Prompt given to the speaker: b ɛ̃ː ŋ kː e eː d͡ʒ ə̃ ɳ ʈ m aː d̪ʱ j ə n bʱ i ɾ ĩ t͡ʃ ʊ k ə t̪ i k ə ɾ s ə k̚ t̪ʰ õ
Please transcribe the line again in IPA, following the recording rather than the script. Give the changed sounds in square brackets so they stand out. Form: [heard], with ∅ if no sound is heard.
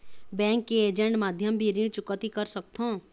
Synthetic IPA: b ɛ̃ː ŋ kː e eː d͡ʒ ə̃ ɳ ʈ m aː d̪ʱ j ə [m] bʱ i ɾ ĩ t͡ʃ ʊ k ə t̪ i k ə ɾ s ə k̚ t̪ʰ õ